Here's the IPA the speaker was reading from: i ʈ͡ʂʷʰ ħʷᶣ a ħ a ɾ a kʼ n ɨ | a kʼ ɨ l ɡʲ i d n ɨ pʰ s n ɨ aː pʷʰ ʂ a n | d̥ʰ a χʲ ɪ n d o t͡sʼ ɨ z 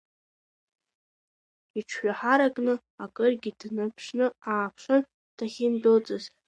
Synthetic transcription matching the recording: i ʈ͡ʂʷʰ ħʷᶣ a ħ a ɾ a kʼ n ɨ | a kʼ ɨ r ɡʲ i d n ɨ pʰ ʂ n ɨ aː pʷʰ ʂ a n | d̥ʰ a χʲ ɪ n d o t͡sʼ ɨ z